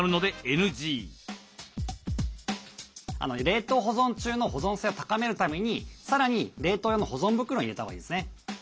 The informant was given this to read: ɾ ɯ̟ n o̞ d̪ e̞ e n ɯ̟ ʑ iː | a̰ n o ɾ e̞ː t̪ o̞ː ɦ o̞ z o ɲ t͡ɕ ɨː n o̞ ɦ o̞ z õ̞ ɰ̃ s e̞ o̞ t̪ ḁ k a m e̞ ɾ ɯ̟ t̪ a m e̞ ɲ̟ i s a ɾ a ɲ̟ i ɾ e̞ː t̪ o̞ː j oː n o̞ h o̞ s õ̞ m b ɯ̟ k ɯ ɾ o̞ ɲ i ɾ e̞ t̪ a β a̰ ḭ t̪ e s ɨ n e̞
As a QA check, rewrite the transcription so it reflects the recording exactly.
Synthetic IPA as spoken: ɾ ɯ̟ n o̞ d̪ e̞ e n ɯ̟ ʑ iː | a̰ n o ɾ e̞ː t̪ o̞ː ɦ o̞ z õ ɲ t͡ɕ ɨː n o̞ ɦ o̞ z õ̞ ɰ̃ s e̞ o̞ t̪ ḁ k a m e̞ ɾ ɯ̟ t̪ a m e̞ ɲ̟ i s a ɾ a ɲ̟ i ɾ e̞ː t̪ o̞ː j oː n o̞ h o̞ z õ̞ m b ɯ̟ k ɯ ɾ o̞ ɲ i ɾ e̞ t̪ a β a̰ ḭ d̪ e s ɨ n e̞